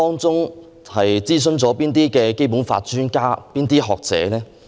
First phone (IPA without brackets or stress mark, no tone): ɔː